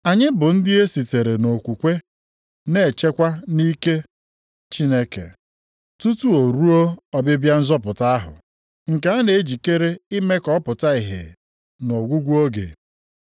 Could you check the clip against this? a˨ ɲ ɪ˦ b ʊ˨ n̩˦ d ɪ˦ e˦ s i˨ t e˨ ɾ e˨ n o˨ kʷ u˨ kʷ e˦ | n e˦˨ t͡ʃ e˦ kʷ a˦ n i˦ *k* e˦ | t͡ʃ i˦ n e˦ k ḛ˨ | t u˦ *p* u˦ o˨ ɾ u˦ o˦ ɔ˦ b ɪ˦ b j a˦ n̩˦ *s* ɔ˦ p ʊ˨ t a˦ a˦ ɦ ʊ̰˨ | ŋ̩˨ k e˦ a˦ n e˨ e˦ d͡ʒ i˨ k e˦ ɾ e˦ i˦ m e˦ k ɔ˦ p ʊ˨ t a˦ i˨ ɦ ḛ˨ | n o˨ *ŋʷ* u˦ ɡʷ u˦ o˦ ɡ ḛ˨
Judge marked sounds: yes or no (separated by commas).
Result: yes, no, no, no